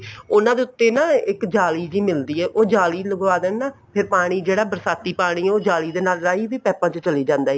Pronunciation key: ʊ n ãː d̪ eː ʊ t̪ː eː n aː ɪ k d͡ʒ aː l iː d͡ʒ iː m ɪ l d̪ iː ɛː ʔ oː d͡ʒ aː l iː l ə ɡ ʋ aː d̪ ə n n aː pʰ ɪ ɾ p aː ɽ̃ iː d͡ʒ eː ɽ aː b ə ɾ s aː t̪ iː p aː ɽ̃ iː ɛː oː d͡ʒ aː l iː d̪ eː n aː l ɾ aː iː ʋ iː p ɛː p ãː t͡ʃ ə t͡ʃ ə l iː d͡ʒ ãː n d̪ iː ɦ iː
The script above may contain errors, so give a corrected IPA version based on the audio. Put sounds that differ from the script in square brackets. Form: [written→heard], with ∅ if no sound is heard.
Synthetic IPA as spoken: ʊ n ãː d̪ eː ʊ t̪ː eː n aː ɪ k d͡ʒ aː l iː d͡ʒ iː m ɪ l d̪ iː ɛː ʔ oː d͡ʒ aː l iː l ə ɡ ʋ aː d̪ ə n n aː pʰ ɪ ɾ p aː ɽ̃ iː d͡ʒ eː ɽ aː b ə ɾ s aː t̪ iː p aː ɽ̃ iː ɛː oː d͡ʒ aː l iː d̪ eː n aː l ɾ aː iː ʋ iː p ɛː p ãː t͡ʃ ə t͡ʃ ə l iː d͡ʒ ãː n d̪ [iː→aː] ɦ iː